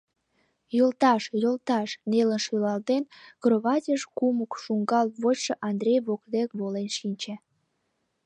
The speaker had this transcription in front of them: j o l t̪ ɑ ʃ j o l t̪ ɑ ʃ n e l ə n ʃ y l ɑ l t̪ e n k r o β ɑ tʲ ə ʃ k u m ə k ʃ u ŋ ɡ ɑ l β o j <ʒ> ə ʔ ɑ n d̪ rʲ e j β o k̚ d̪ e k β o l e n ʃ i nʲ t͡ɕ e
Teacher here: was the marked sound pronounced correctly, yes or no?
no